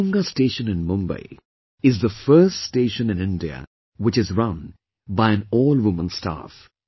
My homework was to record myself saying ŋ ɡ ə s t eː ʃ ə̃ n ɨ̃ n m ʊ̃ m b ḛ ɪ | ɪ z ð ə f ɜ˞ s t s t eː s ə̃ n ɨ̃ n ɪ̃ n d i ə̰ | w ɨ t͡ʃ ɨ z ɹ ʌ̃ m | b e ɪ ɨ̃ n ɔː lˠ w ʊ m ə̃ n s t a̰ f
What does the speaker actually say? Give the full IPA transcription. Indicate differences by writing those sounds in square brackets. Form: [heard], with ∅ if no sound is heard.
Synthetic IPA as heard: ŋ ɡ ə s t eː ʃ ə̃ n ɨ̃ n m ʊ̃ m b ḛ ɪ | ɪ z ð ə f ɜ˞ s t s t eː [ʃ] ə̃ n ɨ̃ n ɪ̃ n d i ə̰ | w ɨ t͡ʃ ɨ z ɹ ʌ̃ [n] | b [a] ɪ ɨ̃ n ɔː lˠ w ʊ m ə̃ n s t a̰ f